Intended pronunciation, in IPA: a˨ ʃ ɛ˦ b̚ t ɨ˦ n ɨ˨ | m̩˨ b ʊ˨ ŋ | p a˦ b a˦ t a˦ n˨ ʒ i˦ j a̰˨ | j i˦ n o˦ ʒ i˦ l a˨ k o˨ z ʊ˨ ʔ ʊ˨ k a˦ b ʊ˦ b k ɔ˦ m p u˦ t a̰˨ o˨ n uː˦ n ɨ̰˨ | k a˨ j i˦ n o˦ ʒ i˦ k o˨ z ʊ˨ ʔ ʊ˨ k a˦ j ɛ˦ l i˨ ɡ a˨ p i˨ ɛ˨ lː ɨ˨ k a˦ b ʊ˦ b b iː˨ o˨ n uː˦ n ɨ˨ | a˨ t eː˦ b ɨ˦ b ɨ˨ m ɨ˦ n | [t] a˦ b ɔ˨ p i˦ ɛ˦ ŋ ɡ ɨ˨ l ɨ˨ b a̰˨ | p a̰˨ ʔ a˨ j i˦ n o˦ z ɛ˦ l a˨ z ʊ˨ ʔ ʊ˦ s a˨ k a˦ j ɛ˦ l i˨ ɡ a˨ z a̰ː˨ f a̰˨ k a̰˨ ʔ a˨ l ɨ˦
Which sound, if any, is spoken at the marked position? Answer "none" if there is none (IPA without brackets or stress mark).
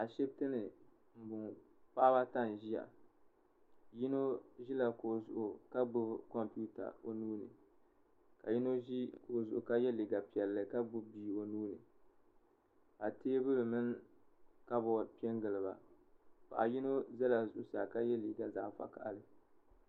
k